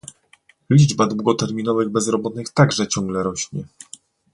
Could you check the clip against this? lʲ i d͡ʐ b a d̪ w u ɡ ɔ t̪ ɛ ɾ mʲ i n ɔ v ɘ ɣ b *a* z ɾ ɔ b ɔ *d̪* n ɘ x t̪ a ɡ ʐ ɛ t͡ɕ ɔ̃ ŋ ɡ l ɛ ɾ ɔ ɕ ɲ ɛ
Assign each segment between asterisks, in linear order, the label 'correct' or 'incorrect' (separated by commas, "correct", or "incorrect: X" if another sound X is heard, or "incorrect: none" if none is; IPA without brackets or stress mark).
incorrect: ɛ, incorrect: t̪